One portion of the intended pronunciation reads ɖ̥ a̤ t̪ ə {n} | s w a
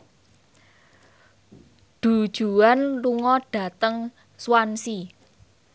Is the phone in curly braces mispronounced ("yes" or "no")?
yes